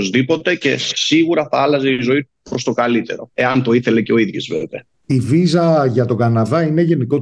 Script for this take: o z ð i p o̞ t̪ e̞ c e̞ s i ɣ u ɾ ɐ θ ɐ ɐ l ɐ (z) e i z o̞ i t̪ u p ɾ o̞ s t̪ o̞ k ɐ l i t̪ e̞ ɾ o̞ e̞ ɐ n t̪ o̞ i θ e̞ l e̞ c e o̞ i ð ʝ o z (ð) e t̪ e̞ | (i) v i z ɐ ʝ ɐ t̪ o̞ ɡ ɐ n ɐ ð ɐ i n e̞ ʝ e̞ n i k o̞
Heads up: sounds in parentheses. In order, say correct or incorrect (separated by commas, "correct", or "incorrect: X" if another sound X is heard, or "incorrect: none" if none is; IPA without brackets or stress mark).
correct, incorrect: v, correct